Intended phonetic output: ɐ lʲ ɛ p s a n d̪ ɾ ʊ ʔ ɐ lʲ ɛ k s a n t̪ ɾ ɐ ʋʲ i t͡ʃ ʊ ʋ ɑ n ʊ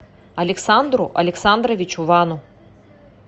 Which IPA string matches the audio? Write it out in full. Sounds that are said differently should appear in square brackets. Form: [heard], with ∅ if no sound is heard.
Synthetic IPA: ɐ lʲ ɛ [k] s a n d̪ ɾ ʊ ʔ ɐ lʲ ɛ k s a n [d̪] ɾ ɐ ʋʲ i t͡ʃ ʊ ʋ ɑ n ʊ